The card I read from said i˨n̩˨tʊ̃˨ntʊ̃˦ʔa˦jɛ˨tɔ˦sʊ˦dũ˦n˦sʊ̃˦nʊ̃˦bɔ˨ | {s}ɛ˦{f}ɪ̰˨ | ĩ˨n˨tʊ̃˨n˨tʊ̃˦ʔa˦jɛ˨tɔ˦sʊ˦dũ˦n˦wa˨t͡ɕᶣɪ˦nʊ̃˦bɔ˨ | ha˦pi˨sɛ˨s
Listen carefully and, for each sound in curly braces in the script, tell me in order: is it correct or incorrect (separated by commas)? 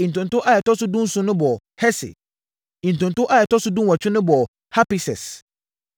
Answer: incorrect, incorrect